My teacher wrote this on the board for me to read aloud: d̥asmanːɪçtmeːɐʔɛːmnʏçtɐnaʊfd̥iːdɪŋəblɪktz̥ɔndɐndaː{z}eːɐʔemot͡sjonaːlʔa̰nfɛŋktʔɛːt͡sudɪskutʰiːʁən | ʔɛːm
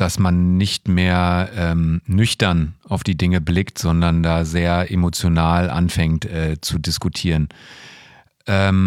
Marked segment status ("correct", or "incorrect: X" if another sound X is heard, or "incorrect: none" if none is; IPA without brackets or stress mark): correct